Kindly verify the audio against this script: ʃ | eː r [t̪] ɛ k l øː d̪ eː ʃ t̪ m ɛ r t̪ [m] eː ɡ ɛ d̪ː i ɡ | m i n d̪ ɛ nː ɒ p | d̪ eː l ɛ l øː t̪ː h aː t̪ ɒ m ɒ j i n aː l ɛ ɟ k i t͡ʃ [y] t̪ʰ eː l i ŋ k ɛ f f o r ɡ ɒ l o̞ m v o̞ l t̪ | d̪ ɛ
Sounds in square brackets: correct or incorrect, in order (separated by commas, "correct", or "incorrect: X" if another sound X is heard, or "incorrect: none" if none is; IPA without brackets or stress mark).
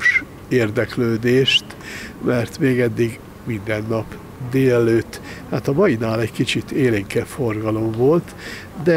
incorrect: d̪, correct, incorrect: i